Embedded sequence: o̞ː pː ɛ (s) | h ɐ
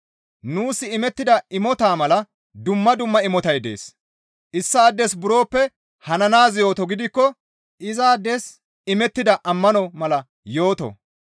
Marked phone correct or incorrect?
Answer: incorrect